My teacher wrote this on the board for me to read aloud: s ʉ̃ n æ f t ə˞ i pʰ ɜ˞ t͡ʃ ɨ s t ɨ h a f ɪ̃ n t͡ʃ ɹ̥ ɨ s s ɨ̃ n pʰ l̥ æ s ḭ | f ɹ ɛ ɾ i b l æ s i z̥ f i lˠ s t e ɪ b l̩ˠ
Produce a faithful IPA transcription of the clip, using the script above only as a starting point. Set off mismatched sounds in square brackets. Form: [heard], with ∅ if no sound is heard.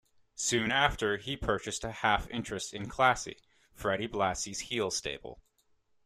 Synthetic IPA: s ʉ̃ n æ f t ə˞ i pʰ ɜ˞ t͡ʃ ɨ s t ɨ h [æ] f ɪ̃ n t͡ʃ ɹ̥ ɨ s [t] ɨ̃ n [kʰ] l̥ æ s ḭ | f ɹ ɛ ɾ i b l æ s i z̥ [h] i lˠ s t e ɪ b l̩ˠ

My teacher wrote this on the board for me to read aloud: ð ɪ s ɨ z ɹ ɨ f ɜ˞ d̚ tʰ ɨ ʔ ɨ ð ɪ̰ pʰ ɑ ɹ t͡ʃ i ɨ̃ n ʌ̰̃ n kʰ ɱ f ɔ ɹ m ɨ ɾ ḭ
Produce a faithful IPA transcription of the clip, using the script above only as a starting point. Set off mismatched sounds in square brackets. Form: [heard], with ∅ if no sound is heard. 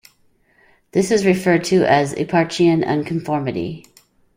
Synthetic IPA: ð ɪ s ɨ z ɹ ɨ f ɜ˞ d̚ tʰ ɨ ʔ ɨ [z] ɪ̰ pʰ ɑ ɹ t͡ʃ i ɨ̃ n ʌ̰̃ n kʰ ɱ f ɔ ɹ m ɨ ɾ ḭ

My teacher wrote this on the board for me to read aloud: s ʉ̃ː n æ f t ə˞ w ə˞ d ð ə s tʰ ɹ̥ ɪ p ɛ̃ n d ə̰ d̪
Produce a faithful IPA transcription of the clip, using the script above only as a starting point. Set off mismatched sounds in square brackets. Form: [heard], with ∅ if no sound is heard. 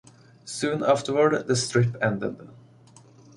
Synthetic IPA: s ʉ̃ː n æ f t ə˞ w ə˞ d ð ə s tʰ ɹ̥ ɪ p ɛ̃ n d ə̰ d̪

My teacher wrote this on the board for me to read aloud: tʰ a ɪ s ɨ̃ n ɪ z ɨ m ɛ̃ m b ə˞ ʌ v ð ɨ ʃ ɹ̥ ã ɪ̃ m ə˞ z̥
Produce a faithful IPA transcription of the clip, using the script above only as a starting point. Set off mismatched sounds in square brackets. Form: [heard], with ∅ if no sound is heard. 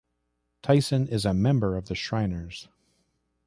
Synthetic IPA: tʰ a ɪ s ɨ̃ n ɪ z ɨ m ɛ̃ m b ə˞ ʌ v ð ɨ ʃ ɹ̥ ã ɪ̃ [n] ə˞ z̥

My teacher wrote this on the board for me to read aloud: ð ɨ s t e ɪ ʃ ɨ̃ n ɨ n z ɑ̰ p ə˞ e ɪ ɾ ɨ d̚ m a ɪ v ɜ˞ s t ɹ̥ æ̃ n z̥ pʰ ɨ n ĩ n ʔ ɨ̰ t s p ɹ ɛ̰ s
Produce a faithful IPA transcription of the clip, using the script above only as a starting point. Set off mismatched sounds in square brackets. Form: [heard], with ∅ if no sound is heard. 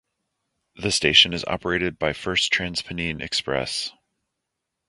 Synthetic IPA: ð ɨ s t e ɪ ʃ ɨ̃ n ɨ [∅] z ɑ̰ p ə˞ e ɪ ɾ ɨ d̚ [b] a ɪ [f] ɜ˞ s [tʰ] ɹ̥ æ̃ n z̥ pʰ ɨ n ĩ n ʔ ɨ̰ [k] s p ɹ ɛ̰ s

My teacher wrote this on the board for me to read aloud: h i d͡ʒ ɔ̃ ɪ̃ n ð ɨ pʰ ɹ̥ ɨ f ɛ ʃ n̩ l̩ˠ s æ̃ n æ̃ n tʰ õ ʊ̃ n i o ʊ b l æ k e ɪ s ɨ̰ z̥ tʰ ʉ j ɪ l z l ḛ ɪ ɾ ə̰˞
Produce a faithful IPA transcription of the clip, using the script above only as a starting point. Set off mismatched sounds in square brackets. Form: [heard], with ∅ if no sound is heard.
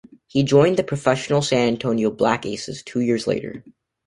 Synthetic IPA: h i d͡ʒ ɔ̃ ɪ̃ n ð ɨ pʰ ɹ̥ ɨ f ɛ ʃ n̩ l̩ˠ s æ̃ n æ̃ n tʰ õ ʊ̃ n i o ʊ b l æ k e ɪ s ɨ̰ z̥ tʰ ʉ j ɪ [ɹ] z l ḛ ɪ ɾ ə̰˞

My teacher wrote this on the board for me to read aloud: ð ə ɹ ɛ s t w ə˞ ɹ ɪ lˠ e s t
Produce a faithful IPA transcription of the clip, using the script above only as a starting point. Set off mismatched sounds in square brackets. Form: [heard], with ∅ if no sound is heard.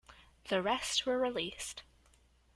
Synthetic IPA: ð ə ɹ ɛ s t w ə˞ ɹ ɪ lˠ [i] s t

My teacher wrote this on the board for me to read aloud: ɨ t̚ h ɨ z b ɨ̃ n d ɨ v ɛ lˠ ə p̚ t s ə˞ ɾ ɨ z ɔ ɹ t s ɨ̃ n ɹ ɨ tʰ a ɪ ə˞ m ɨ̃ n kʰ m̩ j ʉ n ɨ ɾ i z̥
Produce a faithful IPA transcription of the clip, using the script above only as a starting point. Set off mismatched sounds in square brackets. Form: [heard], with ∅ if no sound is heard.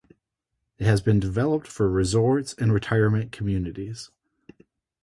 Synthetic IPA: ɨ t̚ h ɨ z b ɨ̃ n d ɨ v ɛ lˠ ə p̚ t [f] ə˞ [ɹ] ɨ z ɔ ɹ t s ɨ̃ n ɹ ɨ tʰ a ɪ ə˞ m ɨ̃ n kʰ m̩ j ʉ n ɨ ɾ i z̥

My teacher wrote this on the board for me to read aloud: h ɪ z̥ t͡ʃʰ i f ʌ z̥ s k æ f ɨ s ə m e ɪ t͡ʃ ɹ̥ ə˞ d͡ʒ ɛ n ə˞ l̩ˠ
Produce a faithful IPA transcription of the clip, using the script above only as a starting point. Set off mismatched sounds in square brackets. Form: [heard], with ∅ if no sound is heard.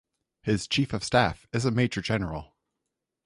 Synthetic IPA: h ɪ z̥ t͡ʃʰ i f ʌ [v̥] s [t] æ f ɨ [z] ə m e ɪ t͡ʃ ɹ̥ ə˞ d͡ʒ ɛ n ə˞ l̩ˠ

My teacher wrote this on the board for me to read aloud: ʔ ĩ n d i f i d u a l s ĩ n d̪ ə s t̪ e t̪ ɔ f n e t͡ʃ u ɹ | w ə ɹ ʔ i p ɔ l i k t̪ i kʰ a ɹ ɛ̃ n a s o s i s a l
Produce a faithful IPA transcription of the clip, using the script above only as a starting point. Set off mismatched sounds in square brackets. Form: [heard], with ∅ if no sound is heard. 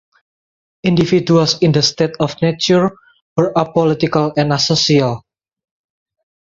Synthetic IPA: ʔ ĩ n d i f i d u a l s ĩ n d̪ ə s t̪ e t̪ ɔ f n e t͡ʃ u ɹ | w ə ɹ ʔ [a] p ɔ l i [∅] t̪ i [k] a [l] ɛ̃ n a s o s i [∅] a l

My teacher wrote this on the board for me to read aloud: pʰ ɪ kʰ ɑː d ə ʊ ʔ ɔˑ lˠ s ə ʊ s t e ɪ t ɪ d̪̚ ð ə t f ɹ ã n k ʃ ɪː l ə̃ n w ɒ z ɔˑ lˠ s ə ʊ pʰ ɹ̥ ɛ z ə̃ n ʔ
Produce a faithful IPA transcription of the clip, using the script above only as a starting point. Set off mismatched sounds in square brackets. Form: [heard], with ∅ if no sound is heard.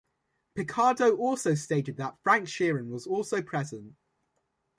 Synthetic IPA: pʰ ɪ kʰ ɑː d ə ʊ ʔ ɔˑ lˠ s ə ʊ s t e ɪ t ɪ d̪̚ ð ə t f ɹ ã [ŋ] k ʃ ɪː [ɹ] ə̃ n w ɒ z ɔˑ lˠ s ə ʊ pʰ ɹ̥ ɛ z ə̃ n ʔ

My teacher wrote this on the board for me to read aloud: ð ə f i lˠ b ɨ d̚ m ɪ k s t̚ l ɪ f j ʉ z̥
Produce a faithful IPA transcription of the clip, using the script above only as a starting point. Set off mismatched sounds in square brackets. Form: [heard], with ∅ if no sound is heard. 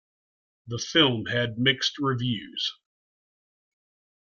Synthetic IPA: ð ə f [ɪ] lˠ [m] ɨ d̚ m ɪ k s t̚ [ɹ] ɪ [v] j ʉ z̥

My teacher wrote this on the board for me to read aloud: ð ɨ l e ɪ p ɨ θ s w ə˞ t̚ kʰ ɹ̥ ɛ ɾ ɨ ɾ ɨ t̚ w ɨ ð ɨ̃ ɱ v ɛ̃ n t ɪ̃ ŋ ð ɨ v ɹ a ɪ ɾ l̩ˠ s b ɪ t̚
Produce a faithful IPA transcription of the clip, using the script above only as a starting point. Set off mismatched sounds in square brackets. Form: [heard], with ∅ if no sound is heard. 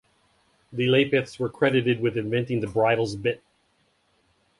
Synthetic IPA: ð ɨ l e ɪ p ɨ θ s w ə˞ [∅] kʰ ɹ̥ ɛ ɾ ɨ ɾ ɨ [d̚] w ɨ ð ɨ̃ ɱ v ɛ̃ n t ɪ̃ ŋ ð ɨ [b] ɹ a ɪ ɾ l̩ˠ [z] b ɪ t̚

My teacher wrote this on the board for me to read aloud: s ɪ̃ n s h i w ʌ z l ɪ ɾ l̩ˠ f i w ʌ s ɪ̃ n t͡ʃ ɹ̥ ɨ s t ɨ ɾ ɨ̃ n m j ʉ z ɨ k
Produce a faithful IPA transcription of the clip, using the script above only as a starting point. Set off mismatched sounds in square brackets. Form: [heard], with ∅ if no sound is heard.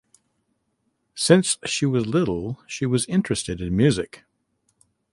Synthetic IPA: s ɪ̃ n s [ʃ] i w ʌ z l ɪ ɾ l̩ˠ [ʃ] i w ʌ [z] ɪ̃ n t͡ʃ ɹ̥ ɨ s t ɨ ɾ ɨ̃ n m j ʉ z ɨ k

